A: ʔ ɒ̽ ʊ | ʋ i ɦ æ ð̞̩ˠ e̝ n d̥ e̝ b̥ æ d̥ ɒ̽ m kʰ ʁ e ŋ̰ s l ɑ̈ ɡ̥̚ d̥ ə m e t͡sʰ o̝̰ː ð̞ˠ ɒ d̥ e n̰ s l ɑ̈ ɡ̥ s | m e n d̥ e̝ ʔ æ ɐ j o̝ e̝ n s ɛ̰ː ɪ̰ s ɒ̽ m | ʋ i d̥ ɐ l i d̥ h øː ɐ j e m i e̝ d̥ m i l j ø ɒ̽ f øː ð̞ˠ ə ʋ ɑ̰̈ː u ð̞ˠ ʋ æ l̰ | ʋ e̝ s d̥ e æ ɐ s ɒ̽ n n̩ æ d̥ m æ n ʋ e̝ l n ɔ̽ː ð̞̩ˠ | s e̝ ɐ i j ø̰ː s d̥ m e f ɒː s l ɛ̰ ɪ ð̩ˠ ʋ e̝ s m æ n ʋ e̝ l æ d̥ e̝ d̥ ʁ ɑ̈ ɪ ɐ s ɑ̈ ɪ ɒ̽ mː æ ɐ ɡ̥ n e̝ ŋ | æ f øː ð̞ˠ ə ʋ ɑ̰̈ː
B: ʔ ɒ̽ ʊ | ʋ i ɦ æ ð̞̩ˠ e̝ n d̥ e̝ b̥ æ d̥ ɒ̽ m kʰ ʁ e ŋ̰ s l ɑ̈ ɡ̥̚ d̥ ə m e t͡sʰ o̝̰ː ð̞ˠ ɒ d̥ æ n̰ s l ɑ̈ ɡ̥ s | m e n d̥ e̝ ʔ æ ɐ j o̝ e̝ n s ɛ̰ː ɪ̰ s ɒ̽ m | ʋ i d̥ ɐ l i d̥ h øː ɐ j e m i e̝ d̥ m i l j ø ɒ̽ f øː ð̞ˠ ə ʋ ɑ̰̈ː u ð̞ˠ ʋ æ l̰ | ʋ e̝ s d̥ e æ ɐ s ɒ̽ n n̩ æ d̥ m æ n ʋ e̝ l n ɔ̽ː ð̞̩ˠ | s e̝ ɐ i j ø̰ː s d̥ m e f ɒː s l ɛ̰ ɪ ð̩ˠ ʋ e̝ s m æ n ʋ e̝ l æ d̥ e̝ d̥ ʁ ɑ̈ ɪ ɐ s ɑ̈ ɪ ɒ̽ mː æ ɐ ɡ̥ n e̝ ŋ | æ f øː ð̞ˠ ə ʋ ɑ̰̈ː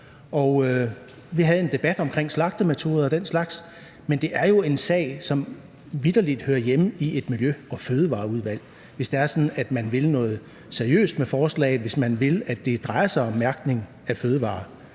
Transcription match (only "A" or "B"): A